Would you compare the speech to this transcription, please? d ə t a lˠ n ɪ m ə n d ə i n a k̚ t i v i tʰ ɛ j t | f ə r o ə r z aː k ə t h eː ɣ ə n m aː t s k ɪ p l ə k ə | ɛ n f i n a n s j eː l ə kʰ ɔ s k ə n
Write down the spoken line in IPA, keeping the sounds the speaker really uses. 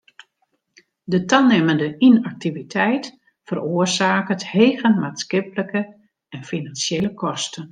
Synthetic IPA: d ə t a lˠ n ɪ m ə n d ə i n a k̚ t i v i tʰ ɛ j t | f ə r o ə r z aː k ə t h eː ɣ ə n m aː t s k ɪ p l ə k ə | ɛ n f i n a n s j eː l ə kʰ ɔ s t ə n